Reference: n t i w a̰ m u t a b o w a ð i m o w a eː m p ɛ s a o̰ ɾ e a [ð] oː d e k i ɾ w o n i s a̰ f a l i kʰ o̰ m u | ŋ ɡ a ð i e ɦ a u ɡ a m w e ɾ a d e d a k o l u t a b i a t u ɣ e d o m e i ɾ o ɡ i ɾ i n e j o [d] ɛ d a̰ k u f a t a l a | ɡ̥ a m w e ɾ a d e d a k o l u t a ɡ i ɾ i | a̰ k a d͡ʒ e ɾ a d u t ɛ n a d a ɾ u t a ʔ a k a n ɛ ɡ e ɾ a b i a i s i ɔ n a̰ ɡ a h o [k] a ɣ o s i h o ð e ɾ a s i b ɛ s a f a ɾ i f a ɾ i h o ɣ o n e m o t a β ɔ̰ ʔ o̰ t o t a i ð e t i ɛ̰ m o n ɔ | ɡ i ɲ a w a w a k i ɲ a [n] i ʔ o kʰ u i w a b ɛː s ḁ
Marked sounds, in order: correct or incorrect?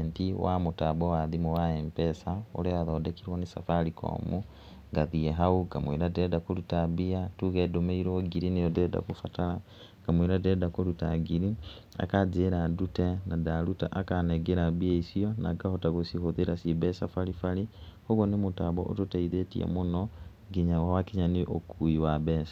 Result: correct, correct, incorrect: t, correct

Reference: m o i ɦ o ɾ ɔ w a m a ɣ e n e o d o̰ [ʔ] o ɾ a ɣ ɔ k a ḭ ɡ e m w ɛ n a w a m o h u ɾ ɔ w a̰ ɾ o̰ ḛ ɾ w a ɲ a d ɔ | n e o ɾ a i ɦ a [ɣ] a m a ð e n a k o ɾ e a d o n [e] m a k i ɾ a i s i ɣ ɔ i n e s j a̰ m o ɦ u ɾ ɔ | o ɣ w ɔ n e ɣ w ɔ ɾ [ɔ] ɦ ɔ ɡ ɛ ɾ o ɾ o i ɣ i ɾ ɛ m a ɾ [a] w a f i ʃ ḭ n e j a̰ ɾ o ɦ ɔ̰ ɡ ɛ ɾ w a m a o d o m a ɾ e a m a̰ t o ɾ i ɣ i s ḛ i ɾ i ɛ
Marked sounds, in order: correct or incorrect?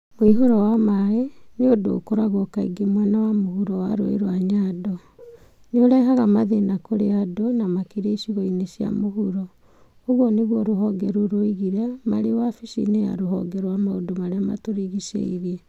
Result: incorrect: k, correct, incorrect: a, incorrect: o, incorrect: e

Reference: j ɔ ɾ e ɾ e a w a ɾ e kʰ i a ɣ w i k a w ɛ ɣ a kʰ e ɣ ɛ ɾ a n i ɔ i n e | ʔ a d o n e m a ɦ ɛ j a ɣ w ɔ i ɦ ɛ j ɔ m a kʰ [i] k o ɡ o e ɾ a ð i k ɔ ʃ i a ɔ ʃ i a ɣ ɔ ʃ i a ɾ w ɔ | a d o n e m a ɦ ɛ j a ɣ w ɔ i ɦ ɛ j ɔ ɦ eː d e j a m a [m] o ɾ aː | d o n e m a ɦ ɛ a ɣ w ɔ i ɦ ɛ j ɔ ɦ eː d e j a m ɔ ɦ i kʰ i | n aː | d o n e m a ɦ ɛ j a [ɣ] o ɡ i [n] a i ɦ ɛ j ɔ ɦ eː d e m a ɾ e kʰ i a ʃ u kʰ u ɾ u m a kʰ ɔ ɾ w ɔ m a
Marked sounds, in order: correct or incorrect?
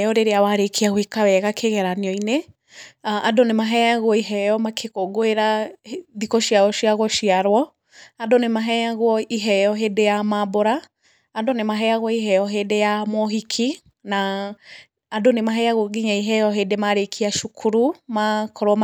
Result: incorrect: e, incorrect: b, correct, incorrect: ɲ

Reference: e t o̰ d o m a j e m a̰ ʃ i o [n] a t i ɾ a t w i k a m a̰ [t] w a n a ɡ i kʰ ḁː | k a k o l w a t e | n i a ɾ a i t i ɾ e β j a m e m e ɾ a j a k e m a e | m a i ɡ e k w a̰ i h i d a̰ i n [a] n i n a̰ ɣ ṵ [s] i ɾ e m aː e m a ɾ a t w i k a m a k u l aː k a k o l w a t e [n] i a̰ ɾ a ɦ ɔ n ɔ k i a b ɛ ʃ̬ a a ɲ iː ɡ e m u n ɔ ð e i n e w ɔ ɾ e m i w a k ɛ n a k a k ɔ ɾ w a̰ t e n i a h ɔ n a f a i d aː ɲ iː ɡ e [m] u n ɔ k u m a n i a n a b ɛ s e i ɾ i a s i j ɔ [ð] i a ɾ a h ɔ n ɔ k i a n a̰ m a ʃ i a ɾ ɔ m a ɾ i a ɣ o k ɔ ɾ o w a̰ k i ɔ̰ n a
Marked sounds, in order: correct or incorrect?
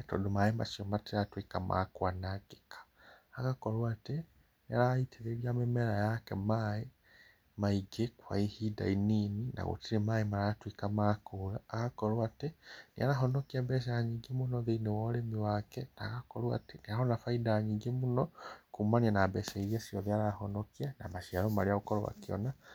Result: incorrect: m, incorrect: k, incorrect: i, incorrect: t, correct, correct, correct

